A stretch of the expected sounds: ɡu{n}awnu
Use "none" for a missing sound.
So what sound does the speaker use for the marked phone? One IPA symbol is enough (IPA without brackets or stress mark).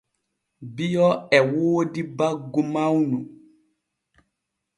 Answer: m